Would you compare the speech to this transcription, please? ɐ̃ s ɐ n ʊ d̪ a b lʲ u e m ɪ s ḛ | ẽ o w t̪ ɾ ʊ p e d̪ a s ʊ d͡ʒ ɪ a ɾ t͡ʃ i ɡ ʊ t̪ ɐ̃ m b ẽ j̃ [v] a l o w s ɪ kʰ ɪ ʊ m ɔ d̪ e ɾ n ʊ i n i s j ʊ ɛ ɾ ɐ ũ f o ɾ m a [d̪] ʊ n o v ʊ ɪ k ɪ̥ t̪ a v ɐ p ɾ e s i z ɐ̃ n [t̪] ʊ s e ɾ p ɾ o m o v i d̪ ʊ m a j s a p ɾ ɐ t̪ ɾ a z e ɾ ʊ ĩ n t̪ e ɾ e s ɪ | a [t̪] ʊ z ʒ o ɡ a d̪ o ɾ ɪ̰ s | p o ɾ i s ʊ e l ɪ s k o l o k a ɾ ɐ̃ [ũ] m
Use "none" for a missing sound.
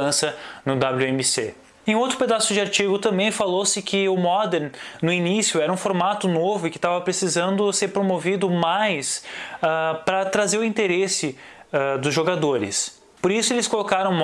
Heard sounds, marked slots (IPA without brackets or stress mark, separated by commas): f, t̪, d̪, d̪, w̃